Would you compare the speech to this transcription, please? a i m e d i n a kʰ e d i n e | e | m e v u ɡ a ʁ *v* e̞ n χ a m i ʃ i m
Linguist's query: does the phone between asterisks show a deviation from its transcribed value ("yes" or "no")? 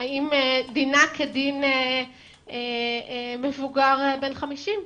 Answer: yes